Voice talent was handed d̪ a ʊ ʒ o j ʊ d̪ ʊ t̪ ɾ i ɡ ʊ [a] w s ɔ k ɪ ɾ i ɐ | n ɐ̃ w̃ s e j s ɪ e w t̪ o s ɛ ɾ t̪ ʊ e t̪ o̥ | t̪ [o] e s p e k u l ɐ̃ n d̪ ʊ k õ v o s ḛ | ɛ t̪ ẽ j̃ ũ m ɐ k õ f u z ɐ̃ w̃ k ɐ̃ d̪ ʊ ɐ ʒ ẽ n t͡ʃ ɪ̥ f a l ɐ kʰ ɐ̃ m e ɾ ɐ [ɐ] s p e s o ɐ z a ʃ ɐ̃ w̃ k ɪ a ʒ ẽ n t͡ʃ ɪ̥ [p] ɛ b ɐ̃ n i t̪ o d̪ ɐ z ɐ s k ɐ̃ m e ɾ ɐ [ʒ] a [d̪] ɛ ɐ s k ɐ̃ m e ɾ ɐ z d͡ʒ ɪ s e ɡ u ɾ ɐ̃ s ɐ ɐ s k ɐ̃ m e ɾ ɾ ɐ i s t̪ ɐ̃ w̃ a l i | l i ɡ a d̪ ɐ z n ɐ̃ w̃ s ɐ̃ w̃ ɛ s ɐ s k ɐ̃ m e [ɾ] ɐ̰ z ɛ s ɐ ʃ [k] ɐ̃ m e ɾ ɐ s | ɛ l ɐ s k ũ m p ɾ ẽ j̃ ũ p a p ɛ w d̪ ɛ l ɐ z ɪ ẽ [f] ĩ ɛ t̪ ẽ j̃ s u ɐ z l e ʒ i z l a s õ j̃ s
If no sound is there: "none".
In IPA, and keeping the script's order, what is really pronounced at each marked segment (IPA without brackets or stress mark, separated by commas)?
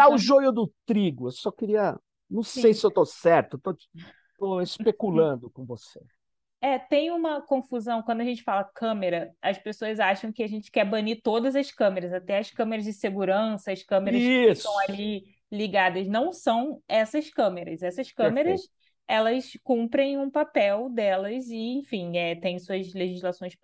e, o, ɐ, k, z, t̪, ɾ, k, f